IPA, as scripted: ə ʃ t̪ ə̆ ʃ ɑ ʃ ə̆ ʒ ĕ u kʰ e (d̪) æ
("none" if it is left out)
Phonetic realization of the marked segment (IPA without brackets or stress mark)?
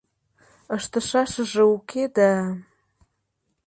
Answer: d̪